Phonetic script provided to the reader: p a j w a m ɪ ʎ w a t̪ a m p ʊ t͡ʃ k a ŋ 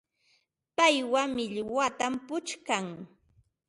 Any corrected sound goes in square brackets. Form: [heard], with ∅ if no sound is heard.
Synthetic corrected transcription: p a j w a m ɪ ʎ w a t̪ a m p ʊ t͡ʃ k a ŋ

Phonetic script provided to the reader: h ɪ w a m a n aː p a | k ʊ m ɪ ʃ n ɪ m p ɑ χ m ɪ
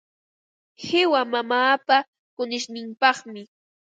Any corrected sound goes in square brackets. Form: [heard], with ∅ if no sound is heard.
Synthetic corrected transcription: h ɪ w a m a [m] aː p a | k ʊ [n] ɪ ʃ n ɪ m p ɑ χ m ɪ

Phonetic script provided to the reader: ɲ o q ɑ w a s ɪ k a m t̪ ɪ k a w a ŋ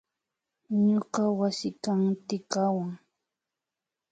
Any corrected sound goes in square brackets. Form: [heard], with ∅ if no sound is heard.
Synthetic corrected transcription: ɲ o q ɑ w a s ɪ k a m t̪ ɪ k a w a ŋ

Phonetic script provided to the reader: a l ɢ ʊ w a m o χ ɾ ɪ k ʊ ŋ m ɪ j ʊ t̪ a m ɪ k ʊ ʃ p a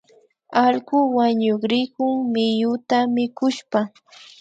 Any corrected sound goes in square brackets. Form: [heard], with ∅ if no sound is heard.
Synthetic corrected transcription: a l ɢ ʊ w a [ɲ] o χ ɾ ɪ k ʊ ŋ m ɪ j ʊ t̪ a m ɪ k ʊ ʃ p a

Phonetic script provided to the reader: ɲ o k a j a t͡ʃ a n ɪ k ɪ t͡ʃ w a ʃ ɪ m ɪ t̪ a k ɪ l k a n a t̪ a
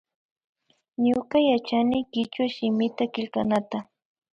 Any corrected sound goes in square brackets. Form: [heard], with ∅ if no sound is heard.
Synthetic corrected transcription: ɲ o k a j a t͡ʃ a n ɪ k ɪ t͡ʃ w a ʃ ɪ m ɪ t̪ a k ɪ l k a n a t̪ a

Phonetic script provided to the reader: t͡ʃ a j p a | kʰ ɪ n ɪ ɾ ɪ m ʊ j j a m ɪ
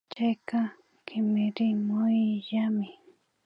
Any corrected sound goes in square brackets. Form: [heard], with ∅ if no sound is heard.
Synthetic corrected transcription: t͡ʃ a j [k] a | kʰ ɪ [m] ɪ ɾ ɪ m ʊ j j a m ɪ

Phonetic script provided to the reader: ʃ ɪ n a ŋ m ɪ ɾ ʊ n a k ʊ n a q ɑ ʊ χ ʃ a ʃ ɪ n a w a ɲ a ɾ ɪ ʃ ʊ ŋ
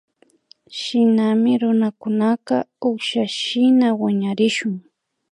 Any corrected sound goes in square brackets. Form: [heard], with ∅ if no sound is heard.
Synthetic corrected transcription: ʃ ɪ n a [∅] m ɪ ɾ ʊ n a k ʊ n a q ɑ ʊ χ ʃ a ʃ ɪ n a w a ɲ a ɾ ɪ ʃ ʊ ŋ

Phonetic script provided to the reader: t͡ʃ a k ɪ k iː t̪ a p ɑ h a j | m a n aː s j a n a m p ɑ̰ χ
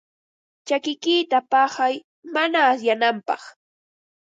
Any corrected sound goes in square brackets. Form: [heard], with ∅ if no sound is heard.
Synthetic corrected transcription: t͡ʃ a k ɪ k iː t̪ a p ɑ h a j | m a n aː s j a n a m p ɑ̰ χ

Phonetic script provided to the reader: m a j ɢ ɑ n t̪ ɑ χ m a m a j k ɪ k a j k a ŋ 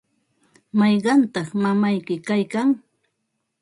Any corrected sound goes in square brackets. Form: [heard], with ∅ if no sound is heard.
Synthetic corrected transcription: m [ɑ] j ɢ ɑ n t̪ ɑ χ m a m a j k ɪ k a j k a ŋ

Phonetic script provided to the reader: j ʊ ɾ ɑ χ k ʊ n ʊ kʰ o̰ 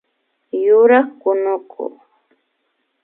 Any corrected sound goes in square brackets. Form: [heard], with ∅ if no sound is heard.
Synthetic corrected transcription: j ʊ ɾ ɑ χ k ʊ n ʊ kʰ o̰

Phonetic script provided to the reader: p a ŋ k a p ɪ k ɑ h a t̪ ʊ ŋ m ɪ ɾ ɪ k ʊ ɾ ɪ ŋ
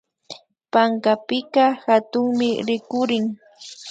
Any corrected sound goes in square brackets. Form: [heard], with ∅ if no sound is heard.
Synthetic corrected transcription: p a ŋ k a p ɪ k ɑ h a t̪ ʊ ŋ m ɪ ɾ ɪ k ʊ ɾ ɪ ŋ

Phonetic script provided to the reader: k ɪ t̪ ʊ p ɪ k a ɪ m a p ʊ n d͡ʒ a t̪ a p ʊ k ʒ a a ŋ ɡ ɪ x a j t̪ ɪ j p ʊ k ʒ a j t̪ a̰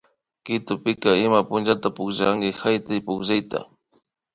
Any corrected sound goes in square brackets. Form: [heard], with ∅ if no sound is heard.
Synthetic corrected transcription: k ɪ t̪ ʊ p ɪ k a ɪ m a p ʊ n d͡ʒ a t̪ a p ʊ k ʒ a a ŋ ɡ ɪ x a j t̪ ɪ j p ʊ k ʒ a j t̪ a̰

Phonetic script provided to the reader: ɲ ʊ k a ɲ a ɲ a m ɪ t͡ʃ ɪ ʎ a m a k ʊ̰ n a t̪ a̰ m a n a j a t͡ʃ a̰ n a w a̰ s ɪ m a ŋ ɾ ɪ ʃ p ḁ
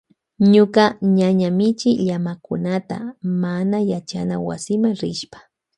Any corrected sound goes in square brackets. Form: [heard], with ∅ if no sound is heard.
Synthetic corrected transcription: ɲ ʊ k a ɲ a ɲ a m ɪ t͡ʃ ɪ ʎ a m a k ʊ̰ n a t̪ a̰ m a n a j a t͡ʃ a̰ n a w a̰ s ɪ m a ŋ ɾ ɪ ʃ p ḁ

